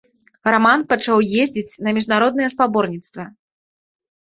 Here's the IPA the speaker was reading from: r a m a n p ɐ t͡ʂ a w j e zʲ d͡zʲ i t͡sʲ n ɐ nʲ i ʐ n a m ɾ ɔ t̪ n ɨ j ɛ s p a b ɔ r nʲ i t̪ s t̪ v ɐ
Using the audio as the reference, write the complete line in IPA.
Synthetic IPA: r a m a n p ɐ t͡ʂ a w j e zʲ d͡zʲ i t͡sʲ n ɐ mʲ i ʐ n a ɾ ɔ d̪ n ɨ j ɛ s p a b ɔ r nʲ i t̪ s t̪ v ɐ